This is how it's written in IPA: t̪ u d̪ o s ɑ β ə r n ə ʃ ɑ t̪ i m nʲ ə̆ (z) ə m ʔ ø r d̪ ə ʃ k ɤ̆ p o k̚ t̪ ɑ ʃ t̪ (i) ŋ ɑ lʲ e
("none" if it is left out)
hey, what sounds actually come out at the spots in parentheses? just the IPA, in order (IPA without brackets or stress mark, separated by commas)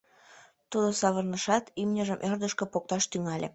ʒ, y